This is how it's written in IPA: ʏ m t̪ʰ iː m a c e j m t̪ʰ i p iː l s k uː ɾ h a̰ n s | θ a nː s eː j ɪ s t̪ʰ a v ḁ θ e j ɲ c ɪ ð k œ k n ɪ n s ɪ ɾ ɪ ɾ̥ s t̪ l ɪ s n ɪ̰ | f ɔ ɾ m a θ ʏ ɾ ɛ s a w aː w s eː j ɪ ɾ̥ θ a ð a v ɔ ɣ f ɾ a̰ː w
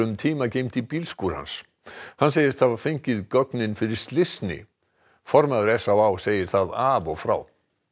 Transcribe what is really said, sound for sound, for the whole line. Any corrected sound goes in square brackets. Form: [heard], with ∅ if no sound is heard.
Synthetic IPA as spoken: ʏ m t̪ʰ iː m a c e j m [t̪] i p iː l s k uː ɾ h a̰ n s | [h] a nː s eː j ɪ s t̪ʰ a v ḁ [f] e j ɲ c ɪ ð k œ k n ɪ n [f] ɪ ɾ ɪ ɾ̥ s t̪ l ɪ s n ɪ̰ | f ɔ ɾ m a [ð] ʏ ɾ ɛ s a w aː w s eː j ɪ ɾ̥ θ a ð a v ɔ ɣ f ɾ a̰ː w